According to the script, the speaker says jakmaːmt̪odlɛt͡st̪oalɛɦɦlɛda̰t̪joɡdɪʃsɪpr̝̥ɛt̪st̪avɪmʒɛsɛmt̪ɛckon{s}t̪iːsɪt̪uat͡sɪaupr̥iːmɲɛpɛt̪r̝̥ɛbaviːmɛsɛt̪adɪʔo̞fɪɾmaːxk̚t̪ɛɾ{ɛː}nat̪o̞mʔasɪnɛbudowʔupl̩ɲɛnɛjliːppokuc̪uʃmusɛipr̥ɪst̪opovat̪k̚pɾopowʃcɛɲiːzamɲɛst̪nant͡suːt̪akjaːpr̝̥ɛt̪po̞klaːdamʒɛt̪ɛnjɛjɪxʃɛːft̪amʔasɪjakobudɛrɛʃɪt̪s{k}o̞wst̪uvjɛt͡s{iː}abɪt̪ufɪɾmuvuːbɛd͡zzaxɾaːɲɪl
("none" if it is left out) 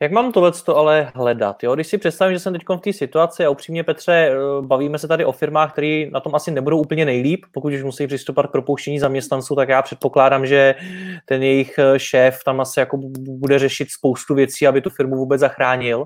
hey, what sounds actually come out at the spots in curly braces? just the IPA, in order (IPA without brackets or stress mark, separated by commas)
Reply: f, iː, p, iː